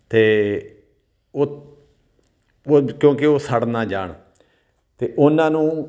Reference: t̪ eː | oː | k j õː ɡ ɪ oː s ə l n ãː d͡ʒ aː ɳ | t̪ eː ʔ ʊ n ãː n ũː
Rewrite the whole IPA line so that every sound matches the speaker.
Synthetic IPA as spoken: t̪ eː | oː | k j õː k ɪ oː s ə ɽ n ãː d͡ʒ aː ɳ | t̪ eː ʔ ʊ n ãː n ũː

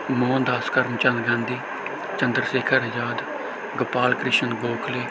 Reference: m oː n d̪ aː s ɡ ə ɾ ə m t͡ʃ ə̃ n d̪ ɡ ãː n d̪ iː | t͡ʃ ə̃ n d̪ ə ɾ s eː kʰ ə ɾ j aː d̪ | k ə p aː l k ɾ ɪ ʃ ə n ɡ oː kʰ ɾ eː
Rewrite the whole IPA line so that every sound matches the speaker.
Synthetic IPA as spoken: m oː n d̪ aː s k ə ɾ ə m t͡ʃ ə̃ n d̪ ɡ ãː n d̪ iː | t͡ʃ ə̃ n d̪ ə ɾ s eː kʰ ə ɾ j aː d̪ | ɡ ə p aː l k ɾ ɪ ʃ ə n ɡ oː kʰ l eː

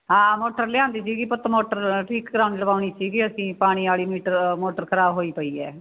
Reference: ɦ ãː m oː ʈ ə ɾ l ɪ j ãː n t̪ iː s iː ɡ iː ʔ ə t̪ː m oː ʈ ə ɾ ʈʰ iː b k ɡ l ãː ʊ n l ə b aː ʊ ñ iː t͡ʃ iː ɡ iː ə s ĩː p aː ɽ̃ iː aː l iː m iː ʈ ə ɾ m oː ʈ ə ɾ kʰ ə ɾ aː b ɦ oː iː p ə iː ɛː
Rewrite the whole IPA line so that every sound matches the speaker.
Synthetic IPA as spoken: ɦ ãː m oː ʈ ə ɾ l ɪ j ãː n d̪ iː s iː ɡ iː p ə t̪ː m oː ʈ ə ɾ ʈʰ iː k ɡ ɾ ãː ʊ n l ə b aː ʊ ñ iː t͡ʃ iː ɡ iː ə s ĩː p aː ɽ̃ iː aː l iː m iː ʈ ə ɾ m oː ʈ ə ɾ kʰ ə ɾ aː b ɦ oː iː p ə iː ɛː

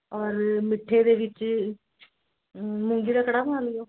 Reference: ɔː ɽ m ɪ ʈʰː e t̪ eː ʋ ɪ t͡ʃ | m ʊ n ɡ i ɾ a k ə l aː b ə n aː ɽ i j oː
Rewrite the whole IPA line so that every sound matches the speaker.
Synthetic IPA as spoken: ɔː ɾ m ɪ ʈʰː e d̪ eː ʋ ɪ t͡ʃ | m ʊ ŋ ɡ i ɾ a k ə ɽ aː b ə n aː l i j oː

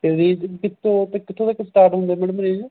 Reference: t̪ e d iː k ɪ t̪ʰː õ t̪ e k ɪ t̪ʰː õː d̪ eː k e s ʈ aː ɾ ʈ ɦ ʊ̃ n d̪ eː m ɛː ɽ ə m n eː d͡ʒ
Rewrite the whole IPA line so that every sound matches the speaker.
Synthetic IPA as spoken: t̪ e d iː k ɪ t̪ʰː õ t̪ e k ɪ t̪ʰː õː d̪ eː k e s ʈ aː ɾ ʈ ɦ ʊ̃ n d̪ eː m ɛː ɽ ə m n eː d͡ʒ

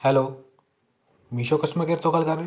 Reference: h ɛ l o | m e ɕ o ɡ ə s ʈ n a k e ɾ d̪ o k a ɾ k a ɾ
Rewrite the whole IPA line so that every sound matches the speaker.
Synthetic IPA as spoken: h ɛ l o | m i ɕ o k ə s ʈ m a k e ɾ t̪ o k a l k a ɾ

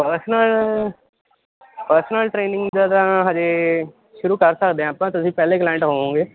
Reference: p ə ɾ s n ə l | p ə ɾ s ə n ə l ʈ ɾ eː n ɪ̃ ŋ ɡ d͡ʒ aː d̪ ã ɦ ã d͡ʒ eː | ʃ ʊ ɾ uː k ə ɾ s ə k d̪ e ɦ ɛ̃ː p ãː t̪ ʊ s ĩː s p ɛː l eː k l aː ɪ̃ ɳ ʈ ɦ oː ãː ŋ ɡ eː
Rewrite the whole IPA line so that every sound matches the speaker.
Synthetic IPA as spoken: p ə ɾ s n ə l | p ə ɾ s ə n ə l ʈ ɾ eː n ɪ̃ ŋ ɡ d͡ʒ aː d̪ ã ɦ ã d͡ʒ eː | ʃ ʊ ɾ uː k ə ɾ s ə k d̪ e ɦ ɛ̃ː p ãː t̪ ʊ s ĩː p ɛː l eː k l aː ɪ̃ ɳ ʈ ɦ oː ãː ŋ ɡ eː

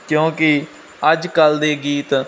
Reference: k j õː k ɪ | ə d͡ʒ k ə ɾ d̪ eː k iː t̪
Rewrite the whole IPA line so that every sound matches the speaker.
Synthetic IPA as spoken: k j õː k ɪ | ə d͡ʒ k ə l d̪ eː ɡ iː t̪

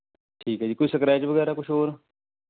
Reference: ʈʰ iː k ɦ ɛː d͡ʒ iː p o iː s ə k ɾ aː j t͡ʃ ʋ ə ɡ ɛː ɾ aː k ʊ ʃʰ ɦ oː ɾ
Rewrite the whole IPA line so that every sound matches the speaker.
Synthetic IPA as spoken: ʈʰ iː k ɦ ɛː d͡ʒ iː k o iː s ə k ɾ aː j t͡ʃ ʋ ə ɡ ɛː ɾ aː k ʊ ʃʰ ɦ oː ɾ

